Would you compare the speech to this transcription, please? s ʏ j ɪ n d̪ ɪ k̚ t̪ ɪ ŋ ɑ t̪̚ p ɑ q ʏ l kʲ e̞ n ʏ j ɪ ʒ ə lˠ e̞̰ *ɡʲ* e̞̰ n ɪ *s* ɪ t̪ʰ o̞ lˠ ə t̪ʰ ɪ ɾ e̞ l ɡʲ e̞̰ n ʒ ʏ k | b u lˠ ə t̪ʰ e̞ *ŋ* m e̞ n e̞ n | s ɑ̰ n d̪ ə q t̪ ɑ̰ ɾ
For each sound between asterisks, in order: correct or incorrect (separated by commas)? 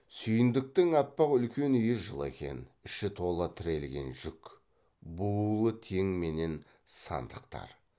incorrect, incorrect, correct